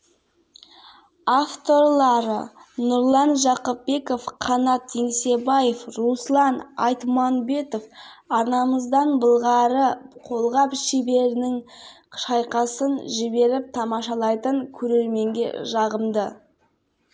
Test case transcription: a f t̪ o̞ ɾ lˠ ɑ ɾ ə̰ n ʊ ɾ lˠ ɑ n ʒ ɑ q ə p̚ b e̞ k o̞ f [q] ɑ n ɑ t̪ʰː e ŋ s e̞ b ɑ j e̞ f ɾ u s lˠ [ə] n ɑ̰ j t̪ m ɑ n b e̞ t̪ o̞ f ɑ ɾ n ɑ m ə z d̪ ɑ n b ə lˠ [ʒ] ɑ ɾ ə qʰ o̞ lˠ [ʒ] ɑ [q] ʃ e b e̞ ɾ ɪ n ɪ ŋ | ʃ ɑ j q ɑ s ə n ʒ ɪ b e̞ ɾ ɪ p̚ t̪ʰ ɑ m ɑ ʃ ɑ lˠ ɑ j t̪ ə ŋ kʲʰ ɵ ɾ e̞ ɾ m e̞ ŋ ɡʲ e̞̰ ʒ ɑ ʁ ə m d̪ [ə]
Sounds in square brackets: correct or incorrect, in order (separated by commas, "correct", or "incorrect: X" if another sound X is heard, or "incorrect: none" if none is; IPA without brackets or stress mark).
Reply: incorrect: qʰ, incorrect: ɑ, incorrect: ʁ, incorrect: ʁ, incorrect: p, correct